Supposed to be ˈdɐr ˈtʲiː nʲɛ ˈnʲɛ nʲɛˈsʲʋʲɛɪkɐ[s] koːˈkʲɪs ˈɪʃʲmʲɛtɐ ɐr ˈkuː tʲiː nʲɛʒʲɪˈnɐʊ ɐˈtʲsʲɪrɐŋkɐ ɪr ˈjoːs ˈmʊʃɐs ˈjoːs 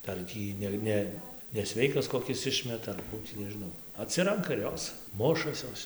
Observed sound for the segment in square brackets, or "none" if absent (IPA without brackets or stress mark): s